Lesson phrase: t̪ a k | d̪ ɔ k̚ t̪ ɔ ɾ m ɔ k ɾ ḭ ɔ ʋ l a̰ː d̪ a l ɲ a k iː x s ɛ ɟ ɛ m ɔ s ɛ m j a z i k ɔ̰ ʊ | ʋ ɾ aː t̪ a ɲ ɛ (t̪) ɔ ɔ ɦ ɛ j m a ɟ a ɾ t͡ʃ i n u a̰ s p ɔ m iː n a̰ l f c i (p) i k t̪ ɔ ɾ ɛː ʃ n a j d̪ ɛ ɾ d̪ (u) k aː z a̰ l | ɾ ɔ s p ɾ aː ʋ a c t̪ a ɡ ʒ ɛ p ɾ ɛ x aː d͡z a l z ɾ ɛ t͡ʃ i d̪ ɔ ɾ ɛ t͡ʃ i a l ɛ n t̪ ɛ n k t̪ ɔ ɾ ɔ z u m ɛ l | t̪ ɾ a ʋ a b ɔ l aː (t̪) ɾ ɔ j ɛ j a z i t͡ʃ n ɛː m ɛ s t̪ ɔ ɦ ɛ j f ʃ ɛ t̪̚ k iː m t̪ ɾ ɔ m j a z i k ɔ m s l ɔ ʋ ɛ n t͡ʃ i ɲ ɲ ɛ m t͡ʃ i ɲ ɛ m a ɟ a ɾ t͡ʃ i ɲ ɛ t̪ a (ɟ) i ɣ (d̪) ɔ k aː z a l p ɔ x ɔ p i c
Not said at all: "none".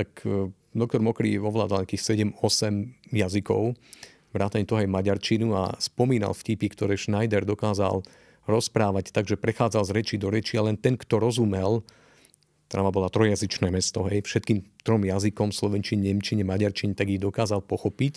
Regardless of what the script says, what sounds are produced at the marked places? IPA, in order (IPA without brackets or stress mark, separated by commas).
t̪, p, ɔ, t̪, ɡ, d̪